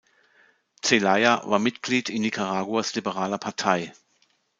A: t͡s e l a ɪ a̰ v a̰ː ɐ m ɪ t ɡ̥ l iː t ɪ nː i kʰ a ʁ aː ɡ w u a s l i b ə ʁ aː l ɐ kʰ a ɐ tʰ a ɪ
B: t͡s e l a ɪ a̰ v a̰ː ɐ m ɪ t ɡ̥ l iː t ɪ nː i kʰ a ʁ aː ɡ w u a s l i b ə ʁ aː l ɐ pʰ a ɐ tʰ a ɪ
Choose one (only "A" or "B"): B